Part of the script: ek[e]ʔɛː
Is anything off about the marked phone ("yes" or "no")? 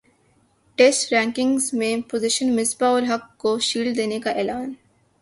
yes